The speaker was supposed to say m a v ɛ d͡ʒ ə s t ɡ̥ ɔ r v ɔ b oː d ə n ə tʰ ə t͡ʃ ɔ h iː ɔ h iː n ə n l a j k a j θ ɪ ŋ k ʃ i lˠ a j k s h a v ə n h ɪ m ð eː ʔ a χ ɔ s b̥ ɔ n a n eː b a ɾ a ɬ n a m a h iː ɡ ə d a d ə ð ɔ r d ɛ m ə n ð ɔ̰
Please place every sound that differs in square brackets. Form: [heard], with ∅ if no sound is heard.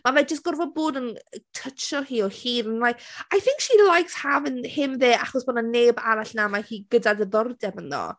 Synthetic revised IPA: m a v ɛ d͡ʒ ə s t ɡ̥ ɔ r v ɔ b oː d ə n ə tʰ ə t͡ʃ ɔ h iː ɔ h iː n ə n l a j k a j θ ɪ ŋ k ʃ i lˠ a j k s h a v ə n h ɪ m ð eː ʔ a χ ɔ s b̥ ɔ n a n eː b a ɾ a ɬ n a m a h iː ɡ ə d a d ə ð ɔ r d ɛ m ə n ð ɔ̰